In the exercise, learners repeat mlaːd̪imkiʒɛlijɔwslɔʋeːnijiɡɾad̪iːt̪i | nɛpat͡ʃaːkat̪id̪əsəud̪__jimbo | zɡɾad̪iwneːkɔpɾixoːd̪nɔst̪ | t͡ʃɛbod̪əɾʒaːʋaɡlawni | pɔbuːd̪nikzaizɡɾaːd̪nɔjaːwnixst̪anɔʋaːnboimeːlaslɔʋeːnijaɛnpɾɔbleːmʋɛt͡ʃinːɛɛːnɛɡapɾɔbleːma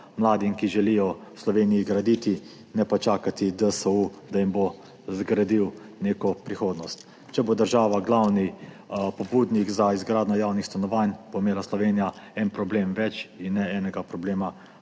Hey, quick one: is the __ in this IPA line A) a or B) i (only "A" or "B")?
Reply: A